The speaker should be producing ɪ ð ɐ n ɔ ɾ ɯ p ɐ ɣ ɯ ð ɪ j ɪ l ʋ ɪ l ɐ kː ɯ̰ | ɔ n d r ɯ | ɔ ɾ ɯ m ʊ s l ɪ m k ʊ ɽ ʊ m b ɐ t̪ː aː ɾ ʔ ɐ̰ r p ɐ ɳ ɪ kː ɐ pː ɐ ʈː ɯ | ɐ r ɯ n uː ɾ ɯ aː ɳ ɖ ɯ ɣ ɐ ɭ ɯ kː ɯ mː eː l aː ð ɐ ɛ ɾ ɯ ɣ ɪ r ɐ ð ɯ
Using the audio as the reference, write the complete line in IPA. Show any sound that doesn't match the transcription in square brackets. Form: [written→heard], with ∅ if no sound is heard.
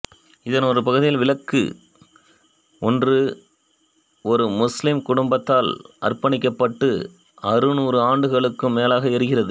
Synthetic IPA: ɪ ð ɐ n ɔ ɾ ɯ p ɐ ɣ ɯ ð ɪ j ɪ l ʋ ɪ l ɐ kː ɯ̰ | ɔ n d r ɯ | ɔ ɾ ɯ m ʊ s l ɪ m k ʊ ɽ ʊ m b ɐ t̪ː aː [ɾ→l] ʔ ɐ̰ r p ɐ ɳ ɪ kː ɐ pː ɐ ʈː ɯ | ɐ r ɯ n uː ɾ ɯ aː ɳ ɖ ɯ ɣ ɐ ɭ ɯ kː ɯ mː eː l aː [ð→ɣ] ɐ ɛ ɾ ɯ ɣ ɪ r ɐ ð ɯ